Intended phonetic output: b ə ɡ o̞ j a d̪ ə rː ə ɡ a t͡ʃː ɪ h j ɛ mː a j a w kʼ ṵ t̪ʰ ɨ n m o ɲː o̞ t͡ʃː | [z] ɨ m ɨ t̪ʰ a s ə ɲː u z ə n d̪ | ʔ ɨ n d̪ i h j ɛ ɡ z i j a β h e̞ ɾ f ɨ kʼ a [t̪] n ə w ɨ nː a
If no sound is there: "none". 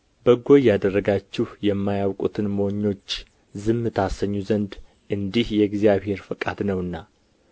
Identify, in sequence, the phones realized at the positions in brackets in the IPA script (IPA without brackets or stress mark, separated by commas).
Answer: z, d̪